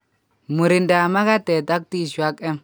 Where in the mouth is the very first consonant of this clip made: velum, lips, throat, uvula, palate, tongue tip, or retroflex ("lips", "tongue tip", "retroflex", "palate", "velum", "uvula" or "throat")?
lips